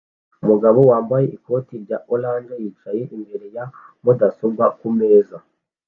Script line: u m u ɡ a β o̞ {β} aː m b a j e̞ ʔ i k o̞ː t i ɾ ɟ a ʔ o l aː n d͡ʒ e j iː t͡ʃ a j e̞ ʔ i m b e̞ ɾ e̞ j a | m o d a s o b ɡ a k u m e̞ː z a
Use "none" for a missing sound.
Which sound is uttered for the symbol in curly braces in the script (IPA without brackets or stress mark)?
w